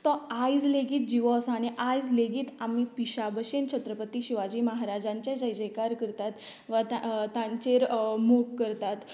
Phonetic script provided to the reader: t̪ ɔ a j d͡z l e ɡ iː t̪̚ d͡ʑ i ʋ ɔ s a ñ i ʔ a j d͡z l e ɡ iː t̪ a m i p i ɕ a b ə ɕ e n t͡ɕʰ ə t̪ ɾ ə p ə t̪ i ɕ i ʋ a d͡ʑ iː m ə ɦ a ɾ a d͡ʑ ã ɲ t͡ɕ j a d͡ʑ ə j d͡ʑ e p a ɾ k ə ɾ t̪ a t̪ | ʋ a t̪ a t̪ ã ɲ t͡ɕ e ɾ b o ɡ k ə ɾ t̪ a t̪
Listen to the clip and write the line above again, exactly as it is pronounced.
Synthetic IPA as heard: t̪ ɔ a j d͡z l e ɡ iː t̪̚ d͡ʑ i ʋ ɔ s a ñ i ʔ a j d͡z l e ɡ iː t̪ a m i p i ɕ a b ə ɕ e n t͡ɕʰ ə t̪ ɾ ə p ə t̪ i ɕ i ʋ a d͡ʑ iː m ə ɦ a ɾ a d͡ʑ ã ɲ t͡ɕ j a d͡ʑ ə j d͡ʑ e k a ɾ k ə ɾ t̪ a t̪ | ʋ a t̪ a t̪ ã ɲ t͡ɕ e ɾ m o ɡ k ə ɾ t̪ a t̪